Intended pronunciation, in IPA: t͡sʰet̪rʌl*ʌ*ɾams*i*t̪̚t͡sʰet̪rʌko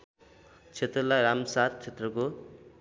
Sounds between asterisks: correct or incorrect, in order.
incorrect: a, incorrect: a

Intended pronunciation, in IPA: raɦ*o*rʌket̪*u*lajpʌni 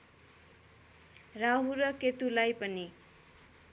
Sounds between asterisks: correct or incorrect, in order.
incorrect: u, correct

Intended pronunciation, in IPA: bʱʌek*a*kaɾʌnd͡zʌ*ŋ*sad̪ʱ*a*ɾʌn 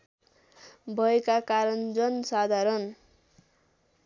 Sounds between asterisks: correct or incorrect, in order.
correct, incorrect: n, correct

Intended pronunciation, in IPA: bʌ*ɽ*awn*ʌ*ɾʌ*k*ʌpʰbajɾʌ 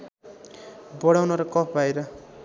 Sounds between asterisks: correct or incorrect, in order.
correct, correct, correct

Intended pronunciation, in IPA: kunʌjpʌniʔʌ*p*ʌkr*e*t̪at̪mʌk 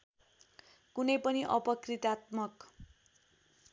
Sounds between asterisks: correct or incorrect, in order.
correct, incorrect: i

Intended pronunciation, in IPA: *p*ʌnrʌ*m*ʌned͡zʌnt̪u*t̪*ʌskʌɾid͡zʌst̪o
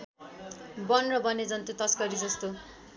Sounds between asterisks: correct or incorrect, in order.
incorrect: b, incorrect: b, correct

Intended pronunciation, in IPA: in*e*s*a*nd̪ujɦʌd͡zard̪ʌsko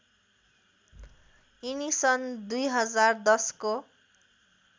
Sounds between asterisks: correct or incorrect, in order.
incorrect: i, incorrect: ʌ

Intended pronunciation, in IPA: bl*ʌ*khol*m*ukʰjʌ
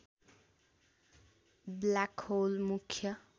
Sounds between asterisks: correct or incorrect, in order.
incorrect: a, correct

